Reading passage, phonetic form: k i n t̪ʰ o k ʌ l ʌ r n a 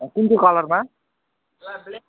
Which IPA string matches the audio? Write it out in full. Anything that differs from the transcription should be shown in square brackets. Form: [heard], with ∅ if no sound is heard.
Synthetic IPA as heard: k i n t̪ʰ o k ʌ l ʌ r [m] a